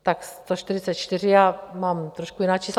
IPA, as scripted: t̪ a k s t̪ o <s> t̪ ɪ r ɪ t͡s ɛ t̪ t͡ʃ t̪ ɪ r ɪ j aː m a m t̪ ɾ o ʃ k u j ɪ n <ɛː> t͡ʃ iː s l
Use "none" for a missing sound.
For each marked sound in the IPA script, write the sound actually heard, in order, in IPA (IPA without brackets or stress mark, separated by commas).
ʃ, aː